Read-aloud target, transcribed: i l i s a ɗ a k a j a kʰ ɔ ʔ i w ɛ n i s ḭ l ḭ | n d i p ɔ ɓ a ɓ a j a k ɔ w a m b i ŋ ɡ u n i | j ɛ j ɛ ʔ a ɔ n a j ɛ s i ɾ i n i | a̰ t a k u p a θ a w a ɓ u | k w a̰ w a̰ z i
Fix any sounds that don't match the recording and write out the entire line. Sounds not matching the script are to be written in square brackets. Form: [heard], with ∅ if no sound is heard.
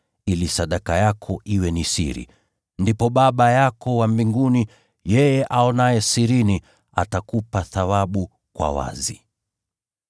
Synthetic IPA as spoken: i l i s a ɗ a k a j a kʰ ɔ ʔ i w ɛ n i s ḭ [ɾ] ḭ | n d i p ɔ ɓ a ɓ a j a k ɔ w a m b i ŋ ɡ u n i | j ɛ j ɛ ʔ a ɔ n a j ɛ s i ɾ i n i | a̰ t a k u p a θ a w a ɓ u | k w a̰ w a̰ z i